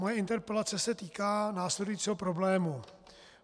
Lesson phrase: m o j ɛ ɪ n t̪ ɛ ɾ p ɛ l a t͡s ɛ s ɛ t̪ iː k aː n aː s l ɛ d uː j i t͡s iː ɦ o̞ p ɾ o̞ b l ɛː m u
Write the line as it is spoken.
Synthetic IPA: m o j ɛ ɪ n t̪ ɛ ɾ p ɛ l a t͡s ɛ s ɛ t̪ iː k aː n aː s l ɛ d u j i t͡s iː ɦ o̞ p ɾ o̞ b l ɛː m u